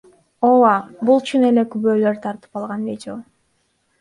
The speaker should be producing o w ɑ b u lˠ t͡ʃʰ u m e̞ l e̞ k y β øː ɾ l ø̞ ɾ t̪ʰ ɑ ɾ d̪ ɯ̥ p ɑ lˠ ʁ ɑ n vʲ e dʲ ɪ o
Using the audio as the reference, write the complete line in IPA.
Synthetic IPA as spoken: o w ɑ b u lˠ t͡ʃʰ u n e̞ l e̞ k y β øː l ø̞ ɾ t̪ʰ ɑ ɾ t̪ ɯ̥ p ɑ lˠ ʁ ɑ n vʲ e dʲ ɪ o